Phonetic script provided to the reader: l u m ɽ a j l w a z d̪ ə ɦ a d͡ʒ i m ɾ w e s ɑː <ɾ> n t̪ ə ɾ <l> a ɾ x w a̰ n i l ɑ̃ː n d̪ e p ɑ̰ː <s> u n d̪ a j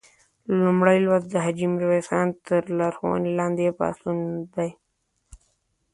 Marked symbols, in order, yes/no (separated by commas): no, yes, yes